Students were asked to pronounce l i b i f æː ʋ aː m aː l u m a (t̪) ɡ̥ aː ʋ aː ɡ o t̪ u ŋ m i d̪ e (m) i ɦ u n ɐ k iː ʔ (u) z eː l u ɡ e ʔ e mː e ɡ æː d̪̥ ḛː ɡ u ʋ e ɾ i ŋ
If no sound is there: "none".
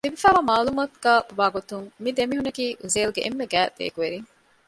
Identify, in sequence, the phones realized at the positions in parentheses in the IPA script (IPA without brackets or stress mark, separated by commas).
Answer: t̪, m, u